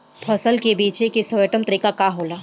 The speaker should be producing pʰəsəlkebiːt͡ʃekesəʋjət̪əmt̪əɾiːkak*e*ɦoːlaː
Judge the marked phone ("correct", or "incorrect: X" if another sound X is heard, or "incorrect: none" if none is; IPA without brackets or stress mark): incorrect: a